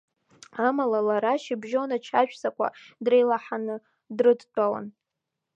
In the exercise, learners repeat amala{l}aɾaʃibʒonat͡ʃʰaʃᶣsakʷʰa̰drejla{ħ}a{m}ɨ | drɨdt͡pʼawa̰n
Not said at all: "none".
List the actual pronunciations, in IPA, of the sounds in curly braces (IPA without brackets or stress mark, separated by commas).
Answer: l, ħ, n